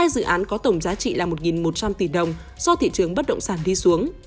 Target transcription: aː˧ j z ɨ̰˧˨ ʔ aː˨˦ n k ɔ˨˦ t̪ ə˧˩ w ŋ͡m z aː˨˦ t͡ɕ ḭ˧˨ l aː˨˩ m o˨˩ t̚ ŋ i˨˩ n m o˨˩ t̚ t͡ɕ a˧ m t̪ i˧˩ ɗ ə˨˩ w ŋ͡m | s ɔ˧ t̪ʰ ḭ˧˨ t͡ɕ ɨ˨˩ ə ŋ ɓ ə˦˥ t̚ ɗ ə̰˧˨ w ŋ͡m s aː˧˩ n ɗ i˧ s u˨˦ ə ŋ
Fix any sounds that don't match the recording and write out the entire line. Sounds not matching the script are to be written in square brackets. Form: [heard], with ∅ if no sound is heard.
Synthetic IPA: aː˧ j z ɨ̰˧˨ ʔ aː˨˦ n k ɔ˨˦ t̪ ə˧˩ w ŋ͡m z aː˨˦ t͡ɕ ḭ˧˨ l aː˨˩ m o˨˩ t̚ ŋ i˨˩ n m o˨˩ t̚ t͡ɕ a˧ m t̪ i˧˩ ɗ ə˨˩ w ŋ͡m | s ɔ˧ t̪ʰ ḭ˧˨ t͡ɕ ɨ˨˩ ə ŋ ɓ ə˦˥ t̚ ɗ ə̰˧˨ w ŋ͡m s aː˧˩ n ɗ i˧ s u˨˦ ə ŋ